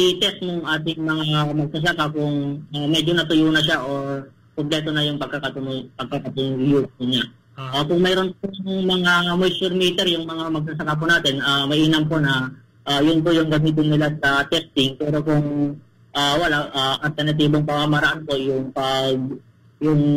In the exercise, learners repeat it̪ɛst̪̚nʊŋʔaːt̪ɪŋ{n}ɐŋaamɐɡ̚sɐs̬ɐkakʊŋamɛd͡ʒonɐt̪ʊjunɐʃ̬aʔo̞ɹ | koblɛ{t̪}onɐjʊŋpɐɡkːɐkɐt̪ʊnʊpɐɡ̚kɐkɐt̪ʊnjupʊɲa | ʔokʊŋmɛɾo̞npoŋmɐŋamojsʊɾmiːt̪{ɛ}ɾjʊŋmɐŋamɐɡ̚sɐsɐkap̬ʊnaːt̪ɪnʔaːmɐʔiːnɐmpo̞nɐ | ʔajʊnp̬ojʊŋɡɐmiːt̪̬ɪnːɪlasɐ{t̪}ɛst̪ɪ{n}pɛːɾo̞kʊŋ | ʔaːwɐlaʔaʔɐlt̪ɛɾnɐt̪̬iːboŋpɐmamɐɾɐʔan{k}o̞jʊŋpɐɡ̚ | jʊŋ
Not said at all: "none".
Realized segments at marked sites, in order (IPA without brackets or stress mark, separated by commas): m, t̪, ɛ, t̪, ŋ, p